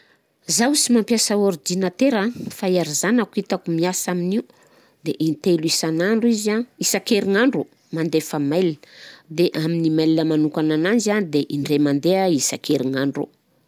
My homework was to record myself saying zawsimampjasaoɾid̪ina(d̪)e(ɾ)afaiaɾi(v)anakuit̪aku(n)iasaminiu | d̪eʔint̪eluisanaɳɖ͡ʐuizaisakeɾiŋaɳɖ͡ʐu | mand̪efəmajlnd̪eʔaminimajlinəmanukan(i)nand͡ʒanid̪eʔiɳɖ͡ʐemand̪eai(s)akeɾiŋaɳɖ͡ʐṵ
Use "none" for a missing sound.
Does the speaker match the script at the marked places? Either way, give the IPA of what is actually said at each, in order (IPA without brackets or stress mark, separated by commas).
t̪, ɾ, z, m, a, s